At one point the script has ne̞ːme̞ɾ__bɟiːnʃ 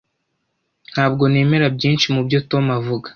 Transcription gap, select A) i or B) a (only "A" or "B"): B